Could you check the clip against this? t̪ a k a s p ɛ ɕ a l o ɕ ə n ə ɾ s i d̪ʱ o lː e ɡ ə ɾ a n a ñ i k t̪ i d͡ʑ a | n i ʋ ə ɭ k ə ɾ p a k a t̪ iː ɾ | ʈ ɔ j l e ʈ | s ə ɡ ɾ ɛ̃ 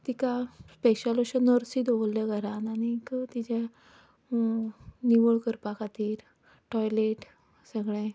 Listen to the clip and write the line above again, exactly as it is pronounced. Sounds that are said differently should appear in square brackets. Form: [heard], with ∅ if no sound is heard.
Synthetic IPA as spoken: t̪ [i] k a s p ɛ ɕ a l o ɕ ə n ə ɾ s i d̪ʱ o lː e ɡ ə ɾ a n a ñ i k t̪ i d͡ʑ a | n i ʋ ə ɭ k ə ɾ p a k a t̪ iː ɾ | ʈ ɔ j l e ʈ | s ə ɡ [ɭ] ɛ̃